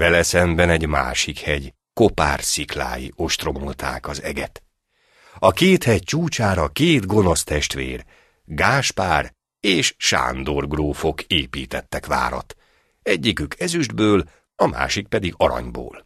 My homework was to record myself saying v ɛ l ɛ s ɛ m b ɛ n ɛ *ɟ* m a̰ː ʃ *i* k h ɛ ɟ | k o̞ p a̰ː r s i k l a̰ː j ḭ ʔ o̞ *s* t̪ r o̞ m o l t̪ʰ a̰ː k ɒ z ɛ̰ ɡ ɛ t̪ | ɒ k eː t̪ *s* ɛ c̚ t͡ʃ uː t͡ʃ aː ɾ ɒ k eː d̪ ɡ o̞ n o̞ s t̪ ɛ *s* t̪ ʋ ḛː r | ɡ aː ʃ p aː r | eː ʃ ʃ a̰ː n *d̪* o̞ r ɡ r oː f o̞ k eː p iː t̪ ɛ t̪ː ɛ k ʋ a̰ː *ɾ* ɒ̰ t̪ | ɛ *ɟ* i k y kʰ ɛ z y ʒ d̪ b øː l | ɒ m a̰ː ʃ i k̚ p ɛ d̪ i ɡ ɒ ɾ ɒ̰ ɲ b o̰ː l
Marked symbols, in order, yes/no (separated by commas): yes, yes, no, no, no, yes, yes, no